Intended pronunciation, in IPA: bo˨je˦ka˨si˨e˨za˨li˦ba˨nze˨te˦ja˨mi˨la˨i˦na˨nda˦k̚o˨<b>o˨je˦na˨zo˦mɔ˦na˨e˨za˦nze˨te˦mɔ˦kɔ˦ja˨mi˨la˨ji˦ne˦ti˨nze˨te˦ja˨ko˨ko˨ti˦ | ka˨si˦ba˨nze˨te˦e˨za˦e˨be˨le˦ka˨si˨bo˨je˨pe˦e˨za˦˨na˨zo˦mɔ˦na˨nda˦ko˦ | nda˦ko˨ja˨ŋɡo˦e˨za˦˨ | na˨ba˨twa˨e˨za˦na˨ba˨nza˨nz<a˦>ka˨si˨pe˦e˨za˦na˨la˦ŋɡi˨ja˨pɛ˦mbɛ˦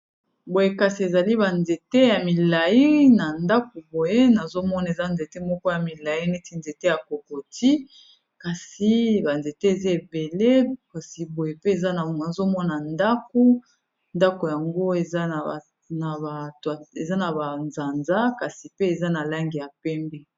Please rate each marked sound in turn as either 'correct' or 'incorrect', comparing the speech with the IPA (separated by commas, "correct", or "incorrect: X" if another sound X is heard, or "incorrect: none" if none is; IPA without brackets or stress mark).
correct, correct